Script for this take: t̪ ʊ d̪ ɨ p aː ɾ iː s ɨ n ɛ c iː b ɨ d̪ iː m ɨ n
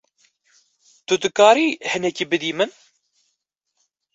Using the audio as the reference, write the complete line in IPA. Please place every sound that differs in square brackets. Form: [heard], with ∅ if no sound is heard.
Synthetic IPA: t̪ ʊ d̪ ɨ [k] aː ɾ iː [h] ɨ n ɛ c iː b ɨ d̪ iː m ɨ n